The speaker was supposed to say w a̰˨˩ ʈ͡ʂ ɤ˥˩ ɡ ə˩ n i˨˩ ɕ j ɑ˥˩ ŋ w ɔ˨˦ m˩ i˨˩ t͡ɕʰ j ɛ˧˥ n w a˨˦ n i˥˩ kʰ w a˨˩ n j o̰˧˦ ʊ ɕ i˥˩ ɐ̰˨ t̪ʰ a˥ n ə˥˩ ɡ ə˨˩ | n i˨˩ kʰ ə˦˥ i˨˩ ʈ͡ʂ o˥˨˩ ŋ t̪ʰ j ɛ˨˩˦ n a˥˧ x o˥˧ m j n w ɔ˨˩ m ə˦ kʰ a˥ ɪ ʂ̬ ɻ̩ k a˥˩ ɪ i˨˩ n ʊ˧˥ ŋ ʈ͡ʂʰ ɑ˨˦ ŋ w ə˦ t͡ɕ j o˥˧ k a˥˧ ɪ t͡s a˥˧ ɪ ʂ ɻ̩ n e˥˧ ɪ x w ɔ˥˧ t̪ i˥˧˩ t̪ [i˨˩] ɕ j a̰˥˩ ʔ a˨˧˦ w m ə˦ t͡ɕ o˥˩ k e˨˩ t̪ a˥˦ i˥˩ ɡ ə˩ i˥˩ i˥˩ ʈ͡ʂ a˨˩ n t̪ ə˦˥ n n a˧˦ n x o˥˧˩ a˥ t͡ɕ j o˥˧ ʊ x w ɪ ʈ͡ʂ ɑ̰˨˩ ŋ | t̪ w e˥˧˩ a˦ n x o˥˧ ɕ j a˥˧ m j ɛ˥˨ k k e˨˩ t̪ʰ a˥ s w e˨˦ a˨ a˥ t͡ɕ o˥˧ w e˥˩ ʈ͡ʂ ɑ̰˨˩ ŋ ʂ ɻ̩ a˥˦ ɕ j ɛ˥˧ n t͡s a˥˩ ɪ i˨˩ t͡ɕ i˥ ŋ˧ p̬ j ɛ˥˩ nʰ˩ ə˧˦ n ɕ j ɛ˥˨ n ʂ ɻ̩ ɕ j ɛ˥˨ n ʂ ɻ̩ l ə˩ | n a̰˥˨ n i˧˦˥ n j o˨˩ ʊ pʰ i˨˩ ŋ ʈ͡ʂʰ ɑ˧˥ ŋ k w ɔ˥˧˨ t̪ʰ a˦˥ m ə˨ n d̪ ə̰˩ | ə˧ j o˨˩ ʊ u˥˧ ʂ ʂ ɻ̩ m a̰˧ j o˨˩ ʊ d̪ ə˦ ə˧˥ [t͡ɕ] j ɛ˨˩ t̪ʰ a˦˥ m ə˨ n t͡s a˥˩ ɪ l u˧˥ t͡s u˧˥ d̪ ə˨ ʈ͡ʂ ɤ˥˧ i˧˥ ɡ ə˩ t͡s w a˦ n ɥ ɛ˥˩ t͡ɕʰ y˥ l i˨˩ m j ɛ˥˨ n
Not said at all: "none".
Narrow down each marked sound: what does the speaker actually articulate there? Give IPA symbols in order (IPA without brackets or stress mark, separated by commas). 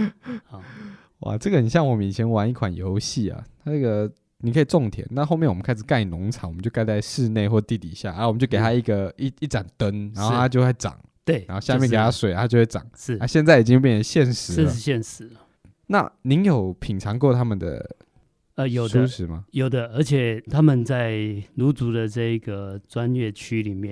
i˨˩, t͡ɕʰ